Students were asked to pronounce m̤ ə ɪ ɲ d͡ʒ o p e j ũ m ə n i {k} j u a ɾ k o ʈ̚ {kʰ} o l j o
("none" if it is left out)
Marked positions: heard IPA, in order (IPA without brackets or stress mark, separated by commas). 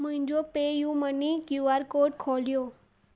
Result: k, kʰ